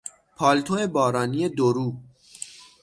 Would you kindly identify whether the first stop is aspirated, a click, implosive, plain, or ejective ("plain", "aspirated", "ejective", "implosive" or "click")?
aspirated